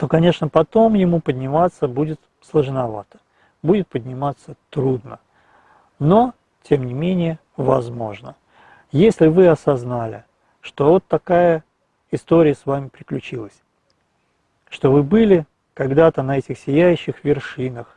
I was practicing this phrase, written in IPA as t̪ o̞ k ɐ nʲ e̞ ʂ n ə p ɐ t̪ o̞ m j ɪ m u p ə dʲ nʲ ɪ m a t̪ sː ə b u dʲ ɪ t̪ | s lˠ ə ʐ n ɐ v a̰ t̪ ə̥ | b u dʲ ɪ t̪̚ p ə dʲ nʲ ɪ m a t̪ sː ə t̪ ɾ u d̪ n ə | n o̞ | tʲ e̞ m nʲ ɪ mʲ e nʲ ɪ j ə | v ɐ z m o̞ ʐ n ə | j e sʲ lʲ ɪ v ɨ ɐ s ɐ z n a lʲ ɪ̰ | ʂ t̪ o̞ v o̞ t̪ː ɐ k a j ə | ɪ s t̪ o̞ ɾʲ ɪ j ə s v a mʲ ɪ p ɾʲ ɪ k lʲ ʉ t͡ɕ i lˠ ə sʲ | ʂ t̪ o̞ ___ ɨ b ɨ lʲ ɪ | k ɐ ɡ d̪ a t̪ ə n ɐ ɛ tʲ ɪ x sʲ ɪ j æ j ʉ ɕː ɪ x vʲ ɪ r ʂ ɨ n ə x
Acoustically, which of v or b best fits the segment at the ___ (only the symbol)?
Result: v